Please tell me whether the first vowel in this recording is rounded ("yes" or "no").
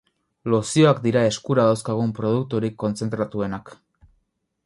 yes